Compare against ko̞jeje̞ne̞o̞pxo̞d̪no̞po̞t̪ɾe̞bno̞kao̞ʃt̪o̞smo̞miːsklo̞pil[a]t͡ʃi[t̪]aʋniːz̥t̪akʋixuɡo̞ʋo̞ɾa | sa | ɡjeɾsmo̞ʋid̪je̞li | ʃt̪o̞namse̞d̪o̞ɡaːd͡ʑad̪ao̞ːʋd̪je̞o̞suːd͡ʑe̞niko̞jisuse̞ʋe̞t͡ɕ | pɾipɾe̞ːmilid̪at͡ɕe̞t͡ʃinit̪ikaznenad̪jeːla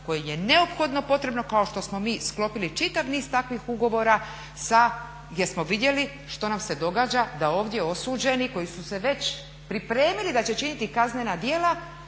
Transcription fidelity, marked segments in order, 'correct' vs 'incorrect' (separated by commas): incorrect, correct